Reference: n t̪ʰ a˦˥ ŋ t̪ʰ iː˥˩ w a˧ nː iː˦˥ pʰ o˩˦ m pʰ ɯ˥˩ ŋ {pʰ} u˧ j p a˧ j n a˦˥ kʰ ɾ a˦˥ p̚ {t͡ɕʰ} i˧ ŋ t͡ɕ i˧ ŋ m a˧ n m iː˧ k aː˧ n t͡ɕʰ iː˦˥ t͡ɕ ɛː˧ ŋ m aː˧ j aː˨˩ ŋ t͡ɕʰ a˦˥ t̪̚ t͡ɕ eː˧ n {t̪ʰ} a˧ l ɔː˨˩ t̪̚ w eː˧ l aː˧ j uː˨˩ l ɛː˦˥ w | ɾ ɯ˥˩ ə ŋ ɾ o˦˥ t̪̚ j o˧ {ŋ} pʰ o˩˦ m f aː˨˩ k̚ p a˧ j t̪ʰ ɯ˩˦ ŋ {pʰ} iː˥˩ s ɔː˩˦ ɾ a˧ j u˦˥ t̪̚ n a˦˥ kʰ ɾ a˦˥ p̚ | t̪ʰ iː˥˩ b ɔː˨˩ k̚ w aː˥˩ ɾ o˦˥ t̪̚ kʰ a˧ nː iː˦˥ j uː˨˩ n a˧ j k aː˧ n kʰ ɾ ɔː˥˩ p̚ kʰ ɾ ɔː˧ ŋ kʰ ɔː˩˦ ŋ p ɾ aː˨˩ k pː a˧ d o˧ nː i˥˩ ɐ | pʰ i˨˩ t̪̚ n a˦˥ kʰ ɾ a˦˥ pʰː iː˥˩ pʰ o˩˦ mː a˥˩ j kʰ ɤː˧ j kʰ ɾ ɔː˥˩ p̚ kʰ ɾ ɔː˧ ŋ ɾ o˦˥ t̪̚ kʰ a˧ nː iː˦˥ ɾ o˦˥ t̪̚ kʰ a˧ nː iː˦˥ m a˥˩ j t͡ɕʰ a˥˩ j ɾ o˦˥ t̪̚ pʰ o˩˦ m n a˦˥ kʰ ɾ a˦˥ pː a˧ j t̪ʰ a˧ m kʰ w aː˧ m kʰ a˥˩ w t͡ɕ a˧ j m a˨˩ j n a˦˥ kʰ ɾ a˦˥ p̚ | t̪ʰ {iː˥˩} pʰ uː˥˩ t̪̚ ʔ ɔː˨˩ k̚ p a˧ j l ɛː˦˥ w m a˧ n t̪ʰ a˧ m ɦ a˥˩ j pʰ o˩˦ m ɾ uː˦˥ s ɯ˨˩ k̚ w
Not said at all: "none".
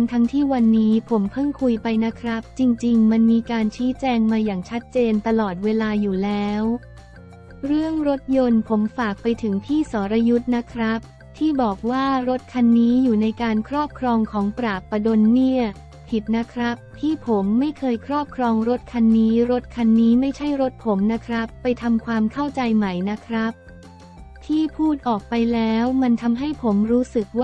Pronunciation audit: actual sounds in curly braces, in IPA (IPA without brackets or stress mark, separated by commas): kʰ, t͡ɕ, t̪, n, pʰ, iː˥˩